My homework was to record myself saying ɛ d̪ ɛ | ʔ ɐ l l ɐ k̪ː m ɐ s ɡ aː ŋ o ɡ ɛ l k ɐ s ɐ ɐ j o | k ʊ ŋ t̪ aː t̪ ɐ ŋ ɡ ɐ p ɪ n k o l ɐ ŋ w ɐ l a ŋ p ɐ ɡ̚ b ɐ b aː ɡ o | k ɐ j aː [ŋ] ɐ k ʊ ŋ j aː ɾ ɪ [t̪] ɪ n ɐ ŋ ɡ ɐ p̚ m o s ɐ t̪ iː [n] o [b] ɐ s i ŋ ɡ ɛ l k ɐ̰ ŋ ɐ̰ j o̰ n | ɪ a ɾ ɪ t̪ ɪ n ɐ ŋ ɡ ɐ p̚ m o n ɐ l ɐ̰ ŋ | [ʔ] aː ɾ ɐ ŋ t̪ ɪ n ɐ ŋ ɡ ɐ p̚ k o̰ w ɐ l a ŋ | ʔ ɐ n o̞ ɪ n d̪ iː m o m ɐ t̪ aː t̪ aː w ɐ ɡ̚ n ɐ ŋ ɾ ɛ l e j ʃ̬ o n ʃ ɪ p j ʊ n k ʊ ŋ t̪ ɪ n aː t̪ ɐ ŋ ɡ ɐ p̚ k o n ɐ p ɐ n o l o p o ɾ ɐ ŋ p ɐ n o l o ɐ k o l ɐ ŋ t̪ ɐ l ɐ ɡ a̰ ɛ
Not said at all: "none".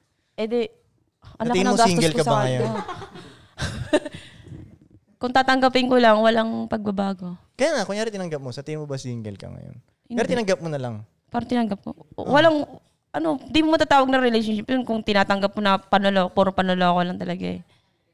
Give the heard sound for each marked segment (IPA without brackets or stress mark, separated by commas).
ŋ, t̪, m, b, p